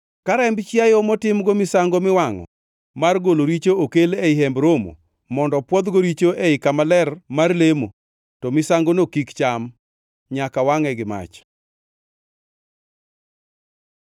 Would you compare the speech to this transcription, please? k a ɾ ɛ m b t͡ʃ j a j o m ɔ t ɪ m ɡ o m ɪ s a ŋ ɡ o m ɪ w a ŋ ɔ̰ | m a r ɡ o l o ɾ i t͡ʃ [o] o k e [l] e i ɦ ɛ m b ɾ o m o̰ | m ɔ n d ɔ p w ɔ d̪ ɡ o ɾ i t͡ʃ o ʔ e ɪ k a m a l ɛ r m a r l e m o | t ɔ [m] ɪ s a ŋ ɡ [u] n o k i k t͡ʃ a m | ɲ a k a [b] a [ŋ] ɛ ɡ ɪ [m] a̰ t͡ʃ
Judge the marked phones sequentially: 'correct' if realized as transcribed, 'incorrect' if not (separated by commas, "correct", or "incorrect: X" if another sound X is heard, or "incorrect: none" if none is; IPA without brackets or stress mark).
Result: correct, correct, correct, incorrect: o, incorrect: w, correct, correct